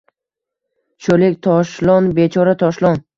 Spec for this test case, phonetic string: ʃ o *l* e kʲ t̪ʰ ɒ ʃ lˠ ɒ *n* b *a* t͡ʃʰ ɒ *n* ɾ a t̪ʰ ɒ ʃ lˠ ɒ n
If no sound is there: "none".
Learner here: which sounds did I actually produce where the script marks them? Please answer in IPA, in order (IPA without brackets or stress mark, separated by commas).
l, n, e, none